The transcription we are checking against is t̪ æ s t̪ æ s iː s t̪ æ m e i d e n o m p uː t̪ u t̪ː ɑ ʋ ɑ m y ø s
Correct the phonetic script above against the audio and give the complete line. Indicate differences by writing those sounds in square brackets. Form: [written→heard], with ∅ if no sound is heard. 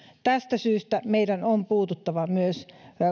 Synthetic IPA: t̪ æ s t̪ æ s [iː→yː] s t̪ æ m e i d [e→æ] n o m p uː t̪ u t̪ː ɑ ʋ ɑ m y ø s